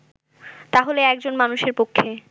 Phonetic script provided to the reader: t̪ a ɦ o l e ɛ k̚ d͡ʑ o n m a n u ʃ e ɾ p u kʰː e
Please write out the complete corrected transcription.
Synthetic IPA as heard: t̪ a ɦ o l e ɛ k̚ d͡ʑ o n m a n u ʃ e ɾ p o kʰː e